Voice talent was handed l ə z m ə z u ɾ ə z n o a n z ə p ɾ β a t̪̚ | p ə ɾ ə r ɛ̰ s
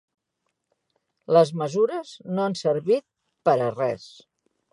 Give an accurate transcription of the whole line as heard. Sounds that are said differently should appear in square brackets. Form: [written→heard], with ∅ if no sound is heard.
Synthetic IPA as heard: l ə z m ə z u ɾ ə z n o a n [z→s] ə [p→∅] ɾ β [a→i] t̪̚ | p ə ɾ ə r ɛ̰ s